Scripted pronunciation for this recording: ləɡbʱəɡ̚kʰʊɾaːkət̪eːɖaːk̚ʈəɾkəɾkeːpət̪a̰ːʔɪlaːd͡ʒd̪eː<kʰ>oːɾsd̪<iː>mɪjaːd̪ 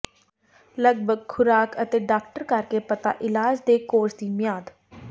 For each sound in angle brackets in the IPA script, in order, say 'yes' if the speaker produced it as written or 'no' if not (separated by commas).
no, yes